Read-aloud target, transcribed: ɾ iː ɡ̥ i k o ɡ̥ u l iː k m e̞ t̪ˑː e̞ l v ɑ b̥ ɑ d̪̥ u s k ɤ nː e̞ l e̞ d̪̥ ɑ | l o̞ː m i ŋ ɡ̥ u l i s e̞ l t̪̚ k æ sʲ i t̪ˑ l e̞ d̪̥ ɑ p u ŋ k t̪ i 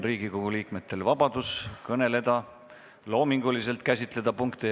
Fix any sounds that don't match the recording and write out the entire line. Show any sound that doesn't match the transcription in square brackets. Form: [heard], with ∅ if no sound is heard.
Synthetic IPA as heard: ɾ iː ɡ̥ i k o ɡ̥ u l iː k m e̞ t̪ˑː e̞ l v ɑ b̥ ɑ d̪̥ u s k ɤ [n] e̞ l e̞ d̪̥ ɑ | l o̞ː m i ŋ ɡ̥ u l i s e̞ l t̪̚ k æ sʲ i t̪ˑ l e̞ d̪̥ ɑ p u ŋ k t̪ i

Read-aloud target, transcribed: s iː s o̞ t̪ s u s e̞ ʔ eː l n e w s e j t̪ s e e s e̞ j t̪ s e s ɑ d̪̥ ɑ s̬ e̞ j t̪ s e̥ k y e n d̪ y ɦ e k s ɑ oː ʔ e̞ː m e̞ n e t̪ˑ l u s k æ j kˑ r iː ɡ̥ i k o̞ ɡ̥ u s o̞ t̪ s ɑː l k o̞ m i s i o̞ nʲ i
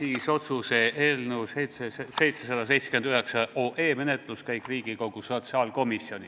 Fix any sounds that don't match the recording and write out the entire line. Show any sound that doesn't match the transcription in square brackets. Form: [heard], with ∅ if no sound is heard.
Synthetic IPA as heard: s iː s o̞ t̪ s u s e̞ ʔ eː l n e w s e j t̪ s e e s e̞ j t̪ s e s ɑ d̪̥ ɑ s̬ e̞ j t̪ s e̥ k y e n d̪ y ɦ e k s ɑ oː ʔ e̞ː m e̞ n e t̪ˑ l u s k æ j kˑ r iː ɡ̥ i k o̞ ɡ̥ u s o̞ t̪ s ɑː l k o̞ m i s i o̞ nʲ i

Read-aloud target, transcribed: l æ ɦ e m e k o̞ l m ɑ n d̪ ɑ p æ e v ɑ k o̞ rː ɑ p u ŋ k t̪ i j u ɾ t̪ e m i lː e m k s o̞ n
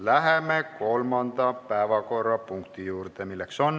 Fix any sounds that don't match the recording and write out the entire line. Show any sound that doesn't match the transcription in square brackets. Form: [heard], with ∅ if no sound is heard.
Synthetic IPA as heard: l æ ɦ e m e k o̞ l m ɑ n d̪ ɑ p æ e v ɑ k o̞ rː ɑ p u ŋ k t̪ i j [uː] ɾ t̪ e m i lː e [∅] k s o̞ n

